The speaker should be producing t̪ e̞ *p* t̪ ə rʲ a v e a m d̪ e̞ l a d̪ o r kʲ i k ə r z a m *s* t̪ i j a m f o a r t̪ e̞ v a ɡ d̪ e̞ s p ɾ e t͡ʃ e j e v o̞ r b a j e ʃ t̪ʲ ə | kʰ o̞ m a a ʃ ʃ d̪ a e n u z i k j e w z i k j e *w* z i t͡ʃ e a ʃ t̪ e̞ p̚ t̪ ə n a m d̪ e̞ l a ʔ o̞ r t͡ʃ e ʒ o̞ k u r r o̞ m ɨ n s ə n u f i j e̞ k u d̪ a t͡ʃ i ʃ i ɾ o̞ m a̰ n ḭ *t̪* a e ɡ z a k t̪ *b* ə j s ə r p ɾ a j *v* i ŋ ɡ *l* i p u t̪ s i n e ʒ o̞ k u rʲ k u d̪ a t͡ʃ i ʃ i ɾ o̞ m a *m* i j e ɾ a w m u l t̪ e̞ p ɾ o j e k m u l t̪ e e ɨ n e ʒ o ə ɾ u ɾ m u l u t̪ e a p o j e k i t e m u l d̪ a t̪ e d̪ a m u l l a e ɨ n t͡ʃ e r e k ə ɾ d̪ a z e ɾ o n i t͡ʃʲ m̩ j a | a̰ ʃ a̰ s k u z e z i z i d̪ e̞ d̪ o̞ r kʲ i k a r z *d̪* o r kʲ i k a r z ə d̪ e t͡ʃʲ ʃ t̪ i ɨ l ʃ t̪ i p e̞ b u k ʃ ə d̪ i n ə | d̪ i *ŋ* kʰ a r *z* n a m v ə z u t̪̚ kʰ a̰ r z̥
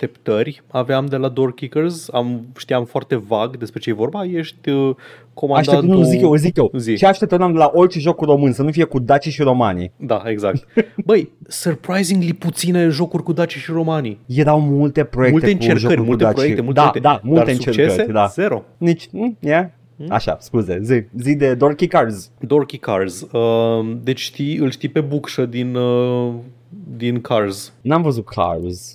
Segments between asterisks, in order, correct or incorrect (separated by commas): correct, incorrect, correct, incorrect, correct, incorrect, correct, incorrect, correct, incorrect, correct